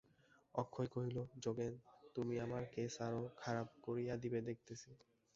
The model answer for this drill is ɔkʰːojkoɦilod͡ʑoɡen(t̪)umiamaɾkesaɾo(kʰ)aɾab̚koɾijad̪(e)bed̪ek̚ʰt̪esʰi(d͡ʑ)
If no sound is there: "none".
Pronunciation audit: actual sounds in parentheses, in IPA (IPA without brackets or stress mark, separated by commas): t̪, kʰ, i, none